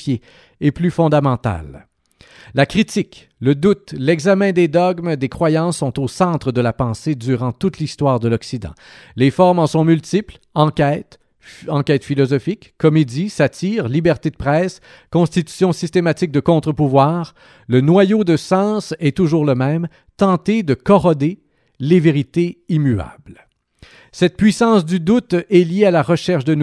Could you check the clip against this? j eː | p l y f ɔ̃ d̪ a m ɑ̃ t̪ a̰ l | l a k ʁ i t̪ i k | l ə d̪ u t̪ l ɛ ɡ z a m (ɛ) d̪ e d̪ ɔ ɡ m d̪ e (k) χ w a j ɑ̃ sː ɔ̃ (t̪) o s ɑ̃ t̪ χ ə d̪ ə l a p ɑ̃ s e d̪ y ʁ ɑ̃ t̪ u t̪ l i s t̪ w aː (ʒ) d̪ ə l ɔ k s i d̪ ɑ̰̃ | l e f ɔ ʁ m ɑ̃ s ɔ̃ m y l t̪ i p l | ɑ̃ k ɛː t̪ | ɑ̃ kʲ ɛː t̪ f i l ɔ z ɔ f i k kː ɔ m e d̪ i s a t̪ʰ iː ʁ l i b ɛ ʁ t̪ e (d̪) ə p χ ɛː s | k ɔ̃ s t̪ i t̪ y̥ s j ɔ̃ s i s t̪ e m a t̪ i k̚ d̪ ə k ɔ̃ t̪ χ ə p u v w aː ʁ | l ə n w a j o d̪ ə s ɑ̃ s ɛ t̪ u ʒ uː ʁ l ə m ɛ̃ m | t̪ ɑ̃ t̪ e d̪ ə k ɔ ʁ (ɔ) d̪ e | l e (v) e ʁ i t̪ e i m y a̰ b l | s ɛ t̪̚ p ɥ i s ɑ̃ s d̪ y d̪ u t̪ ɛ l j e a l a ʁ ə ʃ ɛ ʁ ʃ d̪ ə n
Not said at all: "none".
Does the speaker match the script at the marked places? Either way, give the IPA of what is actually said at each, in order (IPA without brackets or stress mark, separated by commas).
ɛ̃, k, t̪, ʁ, d̪, ɔ, v